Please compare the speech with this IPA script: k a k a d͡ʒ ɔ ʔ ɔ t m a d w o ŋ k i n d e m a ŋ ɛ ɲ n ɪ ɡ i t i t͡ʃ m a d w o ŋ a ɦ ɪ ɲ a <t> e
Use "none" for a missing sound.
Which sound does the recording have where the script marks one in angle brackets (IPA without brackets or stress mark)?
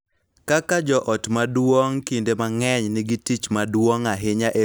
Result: ʔ